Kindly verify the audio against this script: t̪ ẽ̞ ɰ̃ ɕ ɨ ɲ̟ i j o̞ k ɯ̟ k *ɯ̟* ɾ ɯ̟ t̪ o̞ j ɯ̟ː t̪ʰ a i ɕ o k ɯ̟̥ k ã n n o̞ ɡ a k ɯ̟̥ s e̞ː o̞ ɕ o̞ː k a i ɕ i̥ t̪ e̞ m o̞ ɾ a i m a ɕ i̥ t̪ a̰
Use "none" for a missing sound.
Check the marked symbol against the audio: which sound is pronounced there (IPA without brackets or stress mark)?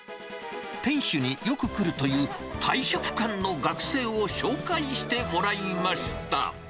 ɯ̟